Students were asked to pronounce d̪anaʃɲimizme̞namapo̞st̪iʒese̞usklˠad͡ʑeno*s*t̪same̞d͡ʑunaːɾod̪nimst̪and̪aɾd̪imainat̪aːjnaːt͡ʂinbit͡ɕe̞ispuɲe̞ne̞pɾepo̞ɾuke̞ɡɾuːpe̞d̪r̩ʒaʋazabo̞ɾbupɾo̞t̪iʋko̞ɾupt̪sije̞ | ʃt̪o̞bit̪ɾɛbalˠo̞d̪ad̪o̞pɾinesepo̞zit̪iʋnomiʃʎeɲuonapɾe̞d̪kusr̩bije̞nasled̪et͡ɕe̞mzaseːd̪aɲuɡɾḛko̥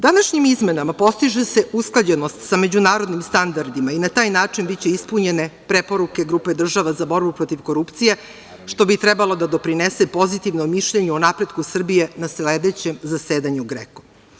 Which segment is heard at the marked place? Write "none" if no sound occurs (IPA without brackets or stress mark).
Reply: s